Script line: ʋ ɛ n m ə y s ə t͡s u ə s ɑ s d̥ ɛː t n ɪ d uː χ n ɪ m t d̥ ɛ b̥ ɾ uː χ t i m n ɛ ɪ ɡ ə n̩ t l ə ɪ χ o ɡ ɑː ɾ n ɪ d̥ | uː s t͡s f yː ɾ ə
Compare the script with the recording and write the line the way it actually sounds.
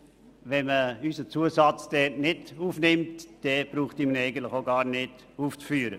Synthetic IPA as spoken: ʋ ɛ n m ə y s ə t͡s u ə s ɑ t͡s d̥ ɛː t n ɪ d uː f n ɪ m t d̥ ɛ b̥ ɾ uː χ t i m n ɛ ɪ ɡ ə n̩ t l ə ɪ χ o ɡ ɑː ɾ n ɪ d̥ | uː f t͡s f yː ɾ ə